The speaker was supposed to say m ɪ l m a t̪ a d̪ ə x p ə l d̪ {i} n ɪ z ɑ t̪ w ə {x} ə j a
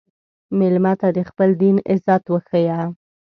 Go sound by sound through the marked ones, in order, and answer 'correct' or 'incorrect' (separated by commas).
correct, correct